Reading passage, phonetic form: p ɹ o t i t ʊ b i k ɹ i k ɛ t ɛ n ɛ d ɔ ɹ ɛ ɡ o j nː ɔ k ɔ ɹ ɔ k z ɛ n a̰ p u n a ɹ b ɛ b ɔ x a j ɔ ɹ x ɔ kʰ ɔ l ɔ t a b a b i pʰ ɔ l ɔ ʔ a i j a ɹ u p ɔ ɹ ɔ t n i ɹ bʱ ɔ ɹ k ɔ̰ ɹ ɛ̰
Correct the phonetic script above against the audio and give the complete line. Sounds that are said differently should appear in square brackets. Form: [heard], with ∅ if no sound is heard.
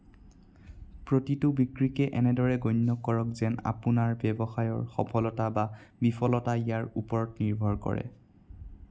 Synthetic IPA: p ɹ o t i t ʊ b i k ɹ i k ɛ [ʔ] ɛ n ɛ d ɔ ɹ ɛ ɡ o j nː ɔ k ɔ ɹ ɔ k z ɛ n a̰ p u n a ɹ b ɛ b ɔ x a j ɔ ɹ x ɔ [pʰ] ɔ l ɔ t a b a b i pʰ ɔ l ɔ [t] a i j a ɹ u p ɔ ɹ ɔ t n i ɹ bʱ ɔ ɹ k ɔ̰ ɹ ɛ̰

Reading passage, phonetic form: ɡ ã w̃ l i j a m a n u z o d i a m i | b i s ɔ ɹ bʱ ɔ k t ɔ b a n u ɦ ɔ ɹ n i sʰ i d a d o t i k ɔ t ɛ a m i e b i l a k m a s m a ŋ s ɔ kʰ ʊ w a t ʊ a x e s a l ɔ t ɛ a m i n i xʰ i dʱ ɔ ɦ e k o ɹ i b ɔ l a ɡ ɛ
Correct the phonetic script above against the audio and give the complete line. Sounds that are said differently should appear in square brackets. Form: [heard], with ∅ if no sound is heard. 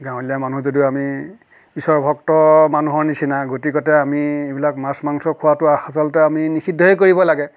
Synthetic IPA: ɡ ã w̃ l i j a m a n u z o d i a m i | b i s ɔ ɹ bʱ ɔ k t ɔ [m] a n u ɦ ɔ ɹ n i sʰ i [n] a [ɡ] o t i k ɔ t ɛ a m i e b i l a k m a s m a ŋ s ɔ kʰ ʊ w a t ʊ a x [a] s a l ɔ t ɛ a m i n i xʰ i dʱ ɔ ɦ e k o ɹ i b ɔ l a ɡ ɛ

